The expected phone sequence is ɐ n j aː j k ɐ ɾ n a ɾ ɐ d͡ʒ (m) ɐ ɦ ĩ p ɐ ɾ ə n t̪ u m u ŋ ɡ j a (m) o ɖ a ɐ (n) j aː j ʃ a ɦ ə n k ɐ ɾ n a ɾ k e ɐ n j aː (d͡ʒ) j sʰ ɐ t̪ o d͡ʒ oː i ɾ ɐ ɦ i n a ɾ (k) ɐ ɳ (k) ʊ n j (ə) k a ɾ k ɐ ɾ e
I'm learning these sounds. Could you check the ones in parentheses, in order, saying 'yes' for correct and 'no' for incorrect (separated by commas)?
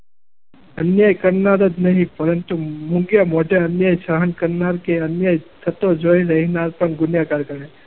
no, yes, yes, no, no, no, no